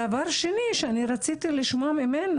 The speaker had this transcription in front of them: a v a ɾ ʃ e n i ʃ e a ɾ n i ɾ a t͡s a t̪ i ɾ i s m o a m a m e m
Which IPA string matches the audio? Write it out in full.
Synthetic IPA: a v a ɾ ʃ e n i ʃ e a n i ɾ a t͡s i t̪ i l i ʃ m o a m i m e n